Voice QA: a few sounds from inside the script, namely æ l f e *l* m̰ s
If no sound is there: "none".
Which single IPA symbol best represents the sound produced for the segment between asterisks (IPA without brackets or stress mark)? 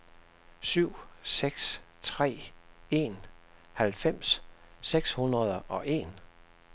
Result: none